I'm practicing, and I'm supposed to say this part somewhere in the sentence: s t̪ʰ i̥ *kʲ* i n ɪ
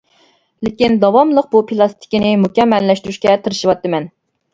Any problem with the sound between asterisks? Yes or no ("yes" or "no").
no